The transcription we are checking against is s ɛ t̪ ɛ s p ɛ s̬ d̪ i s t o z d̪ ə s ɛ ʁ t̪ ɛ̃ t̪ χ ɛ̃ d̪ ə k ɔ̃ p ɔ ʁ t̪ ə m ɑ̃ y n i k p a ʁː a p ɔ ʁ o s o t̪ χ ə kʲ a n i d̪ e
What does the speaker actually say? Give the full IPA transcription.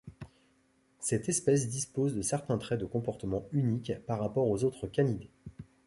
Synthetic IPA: s ɛ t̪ ɛ s p ɛ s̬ d̪ i s p o z d̪ ə s ɛ ʁ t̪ ɛ̃ t̪ χ ɛ d̪ ə k ɔ̃ p ɔ ʁ t̪ ə m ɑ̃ y n i k p a ʁː a p ɔ ʁ o z o t̪ χ ə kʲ a n i d̪ e